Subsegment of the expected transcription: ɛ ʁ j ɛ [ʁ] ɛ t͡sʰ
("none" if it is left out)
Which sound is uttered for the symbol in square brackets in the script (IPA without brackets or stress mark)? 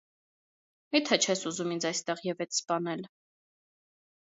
v